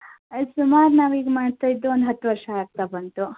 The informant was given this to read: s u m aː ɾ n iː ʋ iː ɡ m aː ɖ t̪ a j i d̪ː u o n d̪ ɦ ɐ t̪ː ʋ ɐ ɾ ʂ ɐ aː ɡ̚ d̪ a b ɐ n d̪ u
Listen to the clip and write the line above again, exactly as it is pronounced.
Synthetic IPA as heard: s u m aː ɾ n aː ʋ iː ɡ m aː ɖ t̪ a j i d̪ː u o n d̪ ɦ ɐ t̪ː ʋ ɐ ɾ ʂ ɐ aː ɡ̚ t̪ a b ɐ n t̪ u